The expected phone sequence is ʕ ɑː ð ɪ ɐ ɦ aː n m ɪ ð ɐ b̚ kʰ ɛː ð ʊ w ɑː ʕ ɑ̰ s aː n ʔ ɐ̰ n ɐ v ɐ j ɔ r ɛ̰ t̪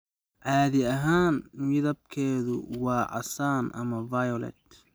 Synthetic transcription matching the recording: ʕ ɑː ð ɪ ɐ ɦ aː n m ɪ ð ɐ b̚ kʰ ɛː ð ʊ w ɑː ʕ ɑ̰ s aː n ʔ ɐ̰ m ɐ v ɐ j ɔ l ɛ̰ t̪